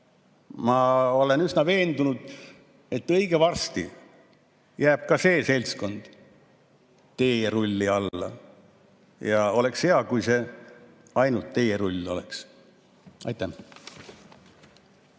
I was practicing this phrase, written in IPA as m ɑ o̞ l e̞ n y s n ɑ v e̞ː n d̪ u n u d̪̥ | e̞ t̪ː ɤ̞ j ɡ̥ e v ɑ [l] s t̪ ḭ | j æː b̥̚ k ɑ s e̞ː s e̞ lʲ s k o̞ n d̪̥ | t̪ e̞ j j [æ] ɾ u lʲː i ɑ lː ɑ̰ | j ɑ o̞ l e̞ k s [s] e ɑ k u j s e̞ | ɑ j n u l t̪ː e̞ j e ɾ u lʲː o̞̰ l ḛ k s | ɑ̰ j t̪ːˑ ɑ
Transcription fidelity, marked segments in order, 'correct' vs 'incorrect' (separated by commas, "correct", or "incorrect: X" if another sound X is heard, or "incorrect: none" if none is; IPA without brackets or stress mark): incorrect: r, incorrect: e, incorrect: h